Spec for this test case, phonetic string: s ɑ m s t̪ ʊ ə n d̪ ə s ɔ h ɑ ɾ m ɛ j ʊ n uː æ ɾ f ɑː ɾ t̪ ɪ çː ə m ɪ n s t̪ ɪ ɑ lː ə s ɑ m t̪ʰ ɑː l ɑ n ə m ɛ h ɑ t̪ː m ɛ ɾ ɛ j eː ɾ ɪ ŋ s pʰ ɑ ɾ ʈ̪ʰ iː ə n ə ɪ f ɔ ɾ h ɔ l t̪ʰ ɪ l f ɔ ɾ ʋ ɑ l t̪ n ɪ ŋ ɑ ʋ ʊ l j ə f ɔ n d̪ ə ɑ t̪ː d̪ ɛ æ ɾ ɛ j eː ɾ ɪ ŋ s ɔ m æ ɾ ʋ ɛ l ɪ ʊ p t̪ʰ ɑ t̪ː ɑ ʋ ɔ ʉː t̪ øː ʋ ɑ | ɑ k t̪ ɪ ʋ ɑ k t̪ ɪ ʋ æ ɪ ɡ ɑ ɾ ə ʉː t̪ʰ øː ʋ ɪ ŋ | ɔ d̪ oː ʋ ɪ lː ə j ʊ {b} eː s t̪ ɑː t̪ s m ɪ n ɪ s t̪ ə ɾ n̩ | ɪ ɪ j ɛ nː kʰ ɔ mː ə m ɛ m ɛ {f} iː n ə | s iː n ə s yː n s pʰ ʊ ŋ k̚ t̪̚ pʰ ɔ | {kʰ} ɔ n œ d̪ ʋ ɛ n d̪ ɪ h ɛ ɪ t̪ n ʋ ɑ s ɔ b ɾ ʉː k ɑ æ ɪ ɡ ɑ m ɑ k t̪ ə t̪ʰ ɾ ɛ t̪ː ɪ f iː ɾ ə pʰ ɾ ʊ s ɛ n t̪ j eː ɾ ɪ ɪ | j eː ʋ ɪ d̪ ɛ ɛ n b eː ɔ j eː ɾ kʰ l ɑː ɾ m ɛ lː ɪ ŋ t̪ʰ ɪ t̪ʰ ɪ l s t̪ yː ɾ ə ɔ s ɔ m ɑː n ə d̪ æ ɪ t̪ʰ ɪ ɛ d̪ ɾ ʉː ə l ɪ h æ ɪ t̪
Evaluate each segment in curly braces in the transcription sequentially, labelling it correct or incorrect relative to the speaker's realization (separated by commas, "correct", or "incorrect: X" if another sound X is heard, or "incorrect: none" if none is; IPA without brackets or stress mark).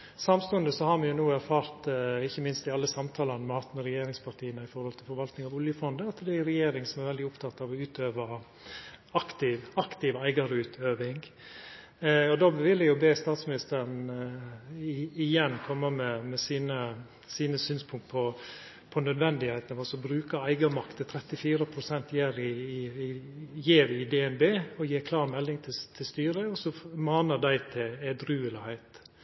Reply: correct, incorrect: s, incorrect: pʰ